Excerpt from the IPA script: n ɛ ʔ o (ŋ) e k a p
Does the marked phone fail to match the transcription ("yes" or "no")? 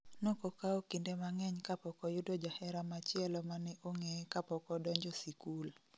no